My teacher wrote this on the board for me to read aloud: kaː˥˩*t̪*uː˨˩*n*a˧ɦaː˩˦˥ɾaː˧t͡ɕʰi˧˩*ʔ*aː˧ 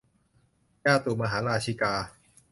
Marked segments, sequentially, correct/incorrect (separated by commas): correct, incorrect, incorrect